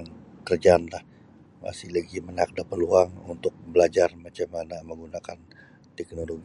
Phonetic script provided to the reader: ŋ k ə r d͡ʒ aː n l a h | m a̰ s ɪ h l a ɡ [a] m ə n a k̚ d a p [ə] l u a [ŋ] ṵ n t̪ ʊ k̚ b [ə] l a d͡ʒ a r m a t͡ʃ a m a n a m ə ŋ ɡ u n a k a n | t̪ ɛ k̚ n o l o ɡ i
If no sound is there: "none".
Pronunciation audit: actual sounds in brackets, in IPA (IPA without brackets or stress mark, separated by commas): i, ə, ŋ, ə